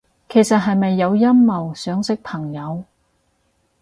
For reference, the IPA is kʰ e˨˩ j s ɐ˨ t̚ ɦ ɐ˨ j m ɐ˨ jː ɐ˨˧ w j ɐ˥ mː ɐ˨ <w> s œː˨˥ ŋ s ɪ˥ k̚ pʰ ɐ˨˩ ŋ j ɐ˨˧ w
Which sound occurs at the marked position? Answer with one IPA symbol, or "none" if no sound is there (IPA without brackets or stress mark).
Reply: w